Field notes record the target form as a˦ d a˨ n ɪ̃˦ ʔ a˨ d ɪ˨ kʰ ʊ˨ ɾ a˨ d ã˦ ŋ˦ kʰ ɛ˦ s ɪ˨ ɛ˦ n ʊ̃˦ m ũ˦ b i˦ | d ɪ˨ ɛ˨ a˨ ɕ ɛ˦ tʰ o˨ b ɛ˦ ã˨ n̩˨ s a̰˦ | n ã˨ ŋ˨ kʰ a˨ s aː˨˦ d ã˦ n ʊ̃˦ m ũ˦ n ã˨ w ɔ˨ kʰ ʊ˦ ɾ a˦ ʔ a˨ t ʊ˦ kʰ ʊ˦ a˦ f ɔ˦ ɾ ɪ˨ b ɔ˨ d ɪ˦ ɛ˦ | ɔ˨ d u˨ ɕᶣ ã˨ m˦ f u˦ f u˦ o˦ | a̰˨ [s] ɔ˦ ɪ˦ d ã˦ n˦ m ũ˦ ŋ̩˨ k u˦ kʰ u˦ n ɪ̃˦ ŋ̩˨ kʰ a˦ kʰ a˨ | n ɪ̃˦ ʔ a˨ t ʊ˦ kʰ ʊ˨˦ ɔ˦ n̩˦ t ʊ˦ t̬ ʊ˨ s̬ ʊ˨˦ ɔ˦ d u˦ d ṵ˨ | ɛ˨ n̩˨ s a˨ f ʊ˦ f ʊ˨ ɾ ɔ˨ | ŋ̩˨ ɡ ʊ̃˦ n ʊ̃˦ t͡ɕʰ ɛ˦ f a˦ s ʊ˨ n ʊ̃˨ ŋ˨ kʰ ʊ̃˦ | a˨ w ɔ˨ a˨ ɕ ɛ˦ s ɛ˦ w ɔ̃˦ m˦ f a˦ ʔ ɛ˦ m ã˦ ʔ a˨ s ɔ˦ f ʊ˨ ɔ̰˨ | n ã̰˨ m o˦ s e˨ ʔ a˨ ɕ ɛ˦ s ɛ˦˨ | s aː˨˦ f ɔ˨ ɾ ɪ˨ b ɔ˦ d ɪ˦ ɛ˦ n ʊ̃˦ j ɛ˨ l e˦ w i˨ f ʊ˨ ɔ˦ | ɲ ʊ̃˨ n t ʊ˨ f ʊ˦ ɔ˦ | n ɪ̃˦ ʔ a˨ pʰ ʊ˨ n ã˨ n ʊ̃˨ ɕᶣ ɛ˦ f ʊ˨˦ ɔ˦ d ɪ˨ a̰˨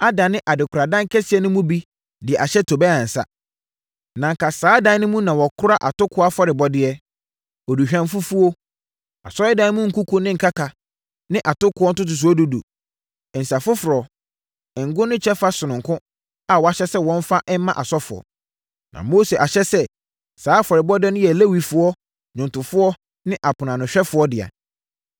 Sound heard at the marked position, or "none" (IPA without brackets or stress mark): s